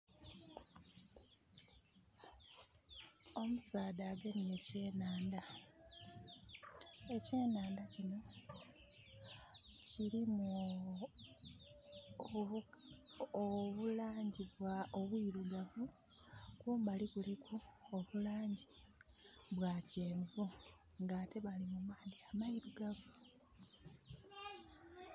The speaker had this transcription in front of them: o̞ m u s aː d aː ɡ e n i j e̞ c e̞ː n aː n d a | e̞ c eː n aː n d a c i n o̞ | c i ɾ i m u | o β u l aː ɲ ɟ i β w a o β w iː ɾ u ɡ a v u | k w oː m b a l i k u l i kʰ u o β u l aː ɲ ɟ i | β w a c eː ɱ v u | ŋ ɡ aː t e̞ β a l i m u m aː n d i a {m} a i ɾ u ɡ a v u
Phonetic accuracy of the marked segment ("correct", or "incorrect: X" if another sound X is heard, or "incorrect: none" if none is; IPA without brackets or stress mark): correct